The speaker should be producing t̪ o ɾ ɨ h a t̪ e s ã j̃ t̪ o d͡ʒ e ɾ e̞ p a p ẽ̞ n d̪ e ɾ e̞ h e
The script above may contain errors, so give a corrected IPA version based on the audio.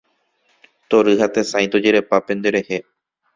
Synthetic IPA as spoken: t̪ o ɾ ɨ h a t̪ e s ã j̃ t̪ o d͡ʒ e ɾ e̞ p a p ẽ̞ n d̪ e ɾ e̞ h e

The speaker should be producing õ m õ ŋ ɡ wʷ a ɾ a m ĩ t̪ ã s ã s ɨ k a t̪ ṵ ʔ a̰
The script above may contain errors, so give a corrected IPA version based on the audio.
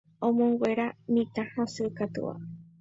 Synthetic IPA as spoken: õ m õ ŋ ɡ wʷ e ɾ a m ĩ t̪ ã h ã s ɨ k a t̪ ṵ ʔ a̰

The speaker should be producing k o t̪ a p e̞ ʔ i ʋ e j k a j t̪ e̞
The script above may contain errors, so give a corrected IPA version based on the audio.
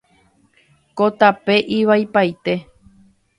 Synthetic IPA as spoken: k o t̪ a p e̞ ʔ i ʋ a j p a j t̪ e̞

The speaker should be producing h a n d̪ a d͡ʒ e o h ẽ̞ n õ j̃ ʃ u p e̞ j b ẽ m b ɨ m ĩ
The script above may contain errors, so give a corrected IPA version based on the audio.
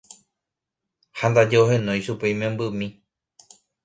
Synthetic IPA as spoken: h a n d̪ a d͡ʒ e o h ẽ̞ n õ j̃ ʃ u p e̞ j m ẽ m b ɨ m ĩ

